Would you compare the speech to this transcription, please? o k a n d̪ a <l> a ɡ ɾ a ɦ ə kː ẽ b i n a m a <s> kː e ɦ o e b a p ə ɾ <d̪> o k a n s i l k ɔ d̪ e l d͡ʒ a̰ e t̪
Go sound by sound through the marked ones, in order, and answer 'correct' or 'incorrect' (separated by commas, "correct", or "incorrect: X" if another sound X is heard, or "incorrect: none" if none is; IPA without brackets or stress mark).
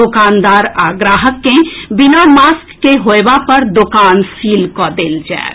incorrect: ɾ, correct, correct